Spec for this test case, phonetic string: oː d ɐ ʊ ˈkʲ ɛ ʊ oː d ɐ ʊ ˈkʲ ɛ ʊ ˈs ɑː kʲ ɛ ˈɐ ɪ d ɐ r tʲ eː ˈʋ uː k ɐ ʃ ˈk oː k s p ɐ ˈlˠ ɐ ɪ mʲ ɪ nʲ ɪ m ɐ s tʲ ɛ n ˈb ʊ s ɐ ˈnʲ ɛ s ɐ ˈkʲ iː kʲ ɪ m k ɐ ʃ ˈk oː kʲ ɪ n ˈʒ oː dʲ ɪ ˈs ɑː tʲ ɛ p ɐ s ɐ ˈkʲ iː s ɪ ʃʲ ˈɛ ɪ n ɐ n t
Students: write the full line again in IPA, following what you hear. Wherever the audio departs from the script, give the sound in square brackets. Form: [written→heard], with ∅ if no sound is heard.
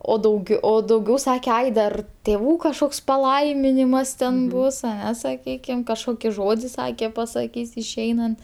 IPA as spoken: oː d ɐ ʊ [ˈkʲ→ˈɡʲ] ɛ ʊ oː d ɐ ʊ [ˈkʲ→ˈɡʲ] ɛ ʊ ˈs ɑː kʲ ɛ ˈɐ ɪ d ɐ r tʲ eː ˈʋ uː k ɐ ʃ ˈk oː k s p ɐ ˈlˠ ɐ ɪ mʲ ɪ nʲ ɪ m ɐ s tʲ ɛ n ˈb ʊ s ɐ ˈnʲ ɛ s ɐ ˈkʲ iː kʲ ɪ m k ɐ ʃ ˈk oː kʲ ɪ [n→∅] ˈʒ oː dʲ ɪ ˈs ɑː [tʲ→kʲ] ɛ p ɐ s ɐ ˈkʲ iː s ɪ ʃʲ ˈɛ ɪ n ɐ n t